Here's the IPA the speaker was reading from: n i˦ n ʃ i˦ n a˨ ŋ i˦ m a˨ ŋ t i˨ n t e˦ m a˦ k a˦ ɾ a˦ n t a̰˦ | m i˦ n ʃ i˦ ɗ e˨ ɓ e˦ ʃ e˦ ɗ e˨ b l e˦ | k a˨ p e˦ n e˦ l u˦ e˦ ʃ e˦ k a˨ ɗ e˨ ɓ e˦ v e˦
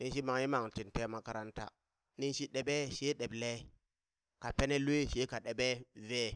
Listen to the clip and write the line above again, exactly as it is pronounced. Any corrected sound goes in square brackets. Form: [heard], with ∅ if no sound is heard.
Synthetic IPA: n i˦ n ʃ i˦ [m] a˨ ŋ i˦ m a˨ ŋ t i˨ n t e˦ m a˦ k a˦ ɾ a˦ n t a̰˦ | [n] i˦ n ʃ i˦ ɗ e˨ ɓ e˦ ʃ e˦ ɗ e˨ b l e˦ | k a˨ p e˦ n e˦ l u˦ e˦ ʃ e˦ k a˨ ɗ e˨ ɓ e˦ v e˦